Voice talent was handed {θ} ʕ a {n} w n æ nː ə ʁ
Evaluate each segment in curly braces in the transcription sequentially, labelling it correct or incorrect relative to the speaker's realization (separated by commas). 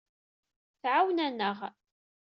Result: correct, incorrect